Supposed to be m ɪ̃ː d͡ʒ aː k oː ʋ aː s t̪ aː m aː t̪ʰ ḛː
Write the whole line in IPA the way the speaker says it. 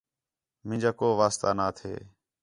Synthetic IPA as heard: m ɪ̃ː d͡ʒ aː k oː ʋ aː s t̪ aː n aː t̪ʰ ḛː